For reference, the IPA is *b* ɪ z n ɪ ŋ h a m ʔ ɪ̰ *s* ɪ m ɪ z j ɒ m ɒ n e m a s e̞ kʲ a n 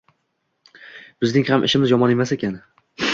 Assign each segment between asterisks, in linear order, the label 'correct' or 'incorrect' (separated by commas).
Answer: correct, incorrect